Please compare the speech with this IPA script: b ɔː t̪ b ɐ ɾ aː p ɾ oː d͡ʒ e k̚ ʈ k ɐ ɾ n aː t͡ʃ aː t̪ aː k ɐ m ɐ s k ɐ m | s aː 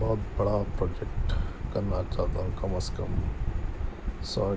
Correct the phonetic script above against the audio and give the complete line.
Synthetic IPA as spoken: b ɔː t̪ b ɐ ɽ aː p ɾ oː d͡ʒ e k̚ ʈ k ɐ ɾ n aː t͡ʃ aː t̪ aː k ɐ m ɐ s k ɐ m | s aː